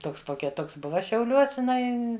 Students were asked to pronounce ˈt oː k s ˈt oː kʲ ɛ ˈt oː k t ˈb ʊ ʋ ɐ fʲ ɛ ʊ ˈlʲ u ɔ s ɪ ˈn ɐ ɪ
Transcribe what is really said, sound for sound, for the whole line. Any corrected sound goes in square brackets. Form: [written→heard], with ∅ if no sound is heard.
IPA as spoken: ˈt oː k s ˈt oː kʲ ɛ ˈt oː k [t→s] ˈb ʊ ʋ ɐ [fʲ→ʃʲ] ɛ ʊ ˈlʲ u ɔ s ɪ ˈn ɐ ɪ